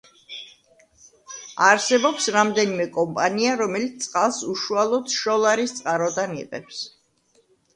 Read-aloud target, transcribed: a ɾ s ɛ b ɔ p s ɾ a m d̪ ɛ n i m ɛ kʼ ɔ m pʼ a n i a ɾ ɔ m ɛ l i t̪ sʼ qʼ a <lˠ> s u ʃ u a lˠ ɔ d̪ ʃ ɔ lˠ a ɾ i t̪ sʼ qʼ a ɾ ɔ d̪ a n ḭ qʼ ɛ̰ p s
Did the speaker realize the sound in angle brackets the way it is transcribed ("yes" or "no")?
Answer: yes